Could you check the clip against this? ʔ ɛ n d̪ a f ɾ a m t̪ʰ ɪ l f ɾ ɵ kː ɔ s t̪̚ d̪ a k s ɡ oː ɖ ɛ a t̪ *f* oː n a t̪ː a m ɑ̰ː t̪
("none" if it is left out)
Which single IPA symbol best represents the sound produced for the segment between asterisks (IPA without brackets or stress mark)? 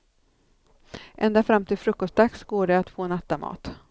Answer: f